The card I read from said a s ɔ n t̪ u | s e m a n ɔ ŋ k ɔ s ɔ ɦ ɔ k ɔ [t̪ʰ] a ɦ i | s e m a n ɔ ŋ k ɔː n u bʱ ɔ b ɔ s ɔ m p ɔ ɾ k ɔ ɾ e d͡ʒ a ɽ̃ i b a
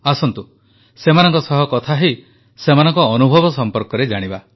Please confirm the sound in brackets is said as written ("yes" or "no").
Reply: yes